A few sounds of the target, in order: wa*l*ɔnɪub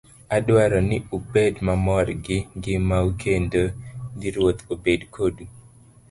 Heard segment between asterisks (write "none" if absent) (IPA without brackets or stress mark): ɾ